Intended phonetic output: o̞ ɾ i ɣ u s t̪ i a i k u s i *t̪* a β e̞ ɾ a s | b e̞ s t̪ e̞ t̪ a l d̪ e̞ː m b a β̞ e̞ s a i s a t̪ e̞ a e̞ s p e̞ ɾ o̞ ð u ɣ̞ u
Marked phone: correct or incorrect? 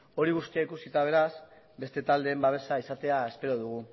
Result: correct